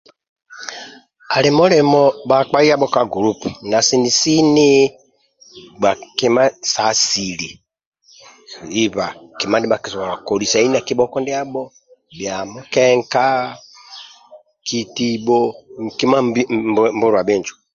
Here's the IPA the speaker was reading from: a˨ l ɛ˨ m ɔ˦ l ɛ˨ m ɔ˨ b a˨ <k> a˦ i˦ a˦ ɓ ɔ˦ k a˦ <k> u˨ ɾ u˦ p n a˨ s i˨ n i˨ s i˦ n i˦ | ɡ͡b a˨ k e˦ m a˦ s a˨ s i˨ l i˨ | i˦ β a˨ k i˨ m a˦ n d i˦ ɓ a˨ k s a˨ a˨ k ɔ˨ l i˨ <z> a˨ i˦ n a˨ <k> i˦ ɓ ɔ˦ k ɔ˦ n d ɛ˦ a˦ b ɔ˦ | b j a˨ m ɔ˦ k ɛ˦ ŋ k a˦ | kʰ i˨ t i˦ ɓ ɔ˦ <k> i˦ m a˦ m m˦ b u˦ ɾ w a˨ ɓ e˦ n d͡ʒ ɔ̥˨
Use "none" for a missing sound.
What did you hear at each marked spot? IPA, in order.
k͡p, ɡ, s, k, k

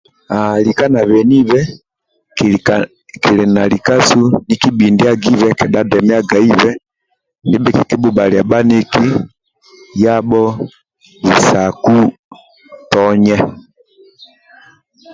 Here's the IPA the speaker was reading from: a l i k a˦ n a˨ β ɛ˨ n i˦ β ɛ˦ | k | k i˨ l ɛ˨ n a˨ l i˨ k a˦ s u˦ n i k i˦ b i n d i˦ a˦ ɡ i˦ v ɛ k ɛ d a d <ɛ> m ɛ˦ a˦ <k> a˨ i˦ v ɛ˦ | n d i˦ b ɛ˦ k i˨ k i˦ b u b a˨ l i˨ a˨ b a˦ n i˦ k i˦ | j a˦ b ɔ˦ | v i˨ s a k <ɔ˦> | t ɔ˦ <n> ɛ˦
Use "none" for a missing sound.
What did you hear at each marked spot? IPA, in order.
ɛ, ɡ, u˦, ɲ

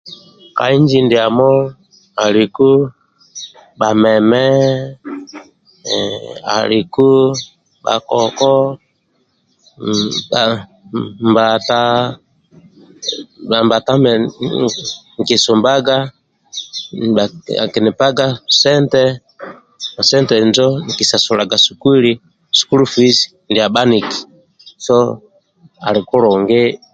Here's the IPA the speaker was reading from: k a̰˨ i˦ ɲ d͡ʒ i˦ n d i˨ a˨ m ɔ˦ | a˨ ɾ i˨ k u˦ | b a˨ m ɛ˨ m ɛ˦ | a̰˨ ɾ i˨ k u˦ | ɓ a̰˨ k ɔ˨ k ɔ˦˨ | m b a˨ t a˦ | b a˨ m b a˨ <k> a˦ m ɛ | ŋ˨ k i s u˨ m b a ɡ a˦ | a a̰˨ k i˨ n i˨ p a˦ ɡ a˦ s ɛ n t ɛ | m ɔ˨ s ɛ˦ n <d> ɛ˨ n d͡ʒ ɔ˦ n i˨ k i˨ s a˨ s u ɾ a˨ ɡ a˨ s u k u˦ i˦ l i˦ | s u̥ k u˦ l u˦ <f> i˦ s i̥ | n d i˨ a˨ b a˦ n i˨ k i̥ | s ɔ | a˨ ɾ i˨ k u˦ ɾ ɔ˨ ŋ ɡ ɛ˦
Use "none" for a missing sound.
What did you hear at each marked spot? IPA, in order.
t, t, f

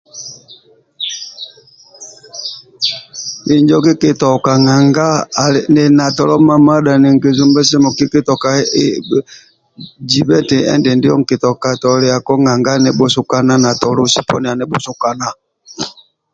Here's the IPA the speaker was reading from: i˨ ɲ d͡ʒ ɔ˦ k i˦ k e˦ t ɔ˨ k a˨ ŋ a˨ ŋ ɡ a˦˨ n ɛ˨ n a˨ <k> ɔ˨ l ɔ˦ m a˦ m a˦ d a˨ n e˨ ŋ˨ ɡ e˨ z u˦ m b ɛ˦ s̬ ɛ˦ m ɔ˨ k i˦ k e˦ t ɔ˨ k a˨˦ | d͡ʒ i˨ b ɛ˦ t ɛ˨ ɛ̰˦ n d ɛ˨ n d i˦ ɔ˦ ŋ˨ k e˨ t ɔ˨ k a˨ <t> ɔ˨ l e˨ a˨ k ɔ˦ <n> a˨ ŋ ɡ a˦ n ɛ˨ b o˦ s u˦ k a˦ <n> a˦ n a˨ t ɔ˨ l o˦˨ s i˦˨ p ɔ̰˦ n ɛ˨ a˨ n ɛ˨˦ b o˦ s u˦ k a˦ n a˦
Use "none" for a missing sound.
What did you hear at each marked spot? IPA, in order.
t, t, ŋ, n

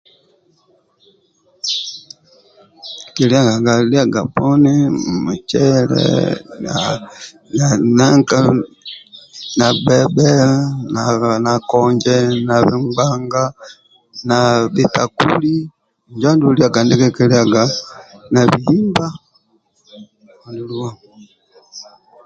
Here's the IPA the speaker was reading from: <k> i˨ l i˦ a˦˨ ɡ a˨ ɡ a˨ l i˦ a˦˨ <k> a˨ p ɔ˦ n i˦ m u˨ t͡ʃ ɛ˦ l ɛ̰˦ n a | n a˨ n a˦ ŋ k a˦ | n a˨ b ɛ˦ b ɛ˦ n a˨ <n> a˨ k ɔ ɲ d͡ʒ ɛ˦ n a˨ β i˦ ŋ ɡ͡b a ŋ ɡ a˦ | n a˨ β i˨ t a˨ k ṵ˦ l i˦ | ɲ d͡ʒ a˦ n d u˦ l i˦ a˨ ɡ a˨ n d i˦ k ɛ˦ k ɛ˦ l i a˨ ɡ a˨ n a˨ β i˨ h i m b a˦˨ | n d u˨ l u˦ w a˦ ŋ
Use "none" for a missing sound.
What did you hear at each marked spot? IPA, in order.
k, ɡ, n

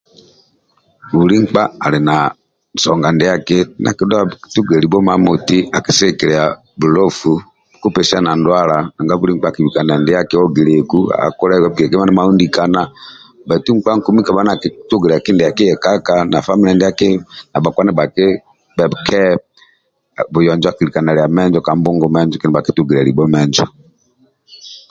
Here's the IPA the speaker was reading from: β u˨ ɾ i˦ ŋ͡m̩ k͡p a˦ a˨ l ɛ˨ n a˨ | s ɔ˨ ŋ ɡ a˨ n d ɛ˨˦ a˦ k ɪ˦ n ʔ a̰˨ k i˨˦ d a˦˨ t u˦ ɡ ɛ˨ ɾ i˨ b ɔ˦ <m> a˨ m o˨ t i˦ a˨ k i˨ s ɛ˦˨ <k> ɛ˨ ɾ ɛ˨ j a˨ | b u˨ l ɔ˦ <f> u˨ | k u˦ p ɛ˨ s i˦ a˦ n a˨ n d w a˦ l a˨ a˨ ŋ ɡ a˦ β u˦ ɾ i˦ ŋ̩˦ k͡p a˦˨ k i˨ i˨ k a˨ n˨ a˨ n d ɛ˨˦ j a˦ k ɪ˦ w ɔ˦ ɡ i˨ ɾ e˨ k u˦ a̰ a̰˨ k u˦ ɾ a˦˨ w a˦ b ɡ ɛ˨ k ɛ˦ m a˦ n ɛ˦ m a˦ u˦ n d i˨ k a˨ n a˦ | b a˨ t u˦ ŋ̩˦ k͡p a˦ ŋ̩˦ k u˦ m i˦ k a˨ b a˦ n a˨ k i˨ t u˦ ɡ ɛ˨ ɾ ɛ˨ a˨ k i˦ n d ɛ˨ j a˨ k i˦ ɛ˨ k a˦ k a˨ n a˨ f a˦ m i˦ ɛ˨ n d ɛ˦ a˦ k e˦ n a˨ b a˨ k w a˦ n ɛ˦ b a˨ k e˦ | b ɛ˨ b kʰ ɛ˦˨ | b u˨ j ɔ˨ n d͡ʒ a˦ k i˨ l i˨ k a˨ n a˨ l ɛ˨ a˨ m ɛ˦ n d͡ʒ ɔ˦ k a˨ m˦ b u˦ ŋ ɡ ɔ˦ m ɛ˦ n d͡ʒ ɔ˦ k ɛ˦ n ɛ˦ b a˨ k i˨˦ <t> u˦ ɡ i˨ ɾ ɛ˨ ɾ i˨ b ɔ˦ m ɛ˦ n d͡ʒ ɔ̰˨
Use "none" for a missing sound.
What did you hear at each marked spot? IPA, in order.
m, k, f, t

